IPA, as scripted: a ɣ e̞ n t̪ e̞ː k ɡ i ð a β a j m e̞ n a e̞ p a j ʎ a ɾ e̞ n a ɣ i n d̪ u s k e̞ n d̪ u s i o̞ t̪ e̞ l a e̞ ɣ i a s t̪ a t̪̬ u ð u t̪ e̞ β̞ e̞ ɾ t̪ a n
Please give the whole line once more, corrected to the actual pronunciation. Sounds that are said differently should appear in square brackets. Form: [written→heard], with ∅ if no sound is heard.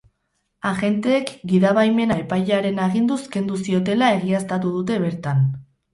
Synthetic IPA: a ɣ e̞ n t̪ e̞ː k ɡ i ð a β a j m e̞ n a e̞ p a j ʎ a ɾ e̞ n a ɣ i n d̪ u s k e̞ n d̪ u s i o̞ t̪ e̞ l a e̞ ɣ i a s t̪ a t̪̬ u ð u t̪ e̞ β̞ e̞ ɾ t̪ a n